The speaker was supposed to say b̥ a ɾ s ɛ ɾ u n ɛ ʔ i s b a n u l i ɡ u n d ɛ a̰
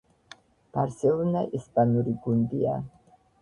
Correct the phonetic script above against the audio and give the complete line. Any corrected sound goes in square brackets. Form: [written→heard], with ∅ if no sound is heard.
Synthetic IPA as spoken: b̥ a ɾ s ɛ [ɾ→l] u n [ɛ→a] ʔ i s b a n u [l→ɾ] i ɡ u n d [ɛ→i] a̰